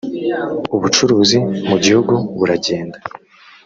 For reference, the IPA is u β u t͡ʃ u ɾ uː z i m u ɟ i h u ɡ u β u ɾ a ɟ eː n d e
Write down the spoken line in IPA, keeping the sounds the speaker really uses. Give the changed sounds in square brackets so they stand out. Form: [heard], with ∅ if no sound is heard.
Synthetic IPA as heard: u β u t͡ʃ u ɾ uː z i m u ɟ i h u ɡ u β u ɾ a ɟ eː n d [a]